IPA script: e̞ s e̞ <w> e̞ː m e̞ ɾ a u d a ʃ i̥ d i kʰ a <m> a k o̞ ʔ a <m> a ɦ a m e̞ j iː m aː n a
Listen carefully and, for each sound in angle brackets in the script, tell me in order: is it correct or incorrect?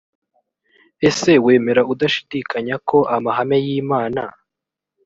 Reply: correct, incorrect: ɲ, correct

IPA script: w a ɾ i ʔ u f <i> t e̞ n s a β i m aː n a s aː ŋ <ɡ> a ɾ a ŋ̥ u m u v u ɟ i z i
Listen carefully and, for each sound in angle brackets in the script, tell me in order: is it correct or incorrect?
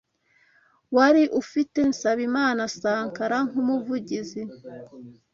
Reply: correct, incorrect: k

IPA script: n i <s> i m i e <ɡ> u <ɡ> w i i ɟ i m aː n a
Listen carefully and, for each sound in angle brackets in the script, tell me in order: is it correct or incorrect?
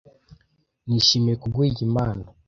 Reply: incorrect: ʃ, incorrect: k, correct

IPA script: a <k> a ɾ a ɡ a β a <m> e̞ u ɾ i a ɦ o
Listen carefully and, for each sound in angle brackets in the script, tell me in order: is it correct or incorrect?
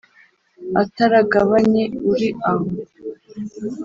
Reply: incorrect: t, incorrect: ɲ

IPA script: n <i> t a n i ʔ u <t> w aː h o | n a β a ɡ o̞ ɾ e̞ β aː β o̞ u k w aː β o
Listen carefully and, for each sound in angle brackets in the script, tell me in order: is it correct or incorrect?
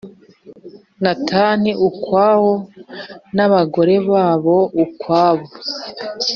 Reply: incorrect: a, incorrect: k

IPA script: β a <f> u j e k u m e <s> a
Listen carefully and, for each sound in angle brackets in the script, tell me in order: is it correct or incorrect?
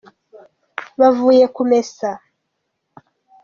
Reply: incorrect: v, correct

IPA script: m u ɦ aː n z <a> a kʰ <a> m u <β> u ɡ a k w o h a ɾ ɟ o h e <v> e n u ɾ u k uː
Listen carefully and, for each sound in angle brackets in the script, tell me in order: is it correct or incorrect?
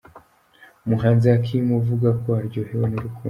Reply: incorrect: i, incorrect: i, incorrect: v, incorrect: w

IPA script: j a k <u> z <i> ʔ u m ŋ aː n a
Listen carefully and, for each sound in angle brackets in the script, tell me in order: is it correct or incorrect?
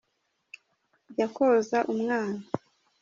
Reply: incorrect: o, incorrect: a

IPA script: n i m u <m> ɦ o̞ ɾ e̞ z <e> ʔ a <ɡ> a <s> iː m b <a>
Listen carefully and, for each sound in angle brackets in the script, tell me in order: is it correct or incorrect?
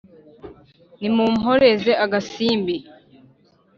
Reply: correct, correct, correct, correct, incorrect: i

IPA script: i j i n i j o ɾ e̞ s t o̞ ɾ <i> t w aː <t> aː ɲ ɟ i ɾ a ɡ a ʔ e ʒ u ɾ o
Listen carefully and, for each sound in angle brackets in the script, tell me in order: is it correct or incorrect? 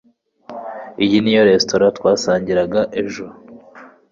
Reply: incorrect: a, incorrect: s

